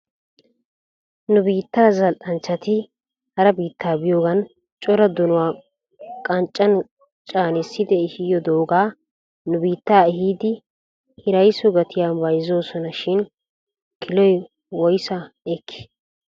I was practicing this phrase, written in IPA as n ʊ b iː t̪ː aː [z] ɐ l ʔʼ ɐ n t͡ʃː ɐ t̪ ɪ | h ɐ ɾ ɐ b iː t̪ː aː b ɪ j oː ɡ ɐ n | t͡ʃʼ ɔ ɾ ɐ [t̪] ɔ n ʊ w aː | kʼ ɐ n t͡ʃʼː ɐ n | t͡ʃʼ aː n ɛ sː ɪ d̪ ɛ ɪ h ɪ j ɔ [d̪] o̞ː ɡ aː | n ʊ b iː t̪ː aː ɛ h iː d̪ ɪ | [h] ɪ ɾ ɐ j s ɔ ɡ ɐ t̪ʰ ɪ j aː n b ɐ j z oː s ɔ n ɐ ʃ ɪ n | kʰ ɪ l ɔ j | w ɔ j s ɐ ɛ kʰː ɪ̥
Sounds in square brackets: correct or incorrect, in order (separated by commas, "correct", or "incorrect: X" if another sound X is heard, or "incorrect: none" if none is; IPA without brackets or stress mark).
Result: correct, incorrect: d̪, correct, correct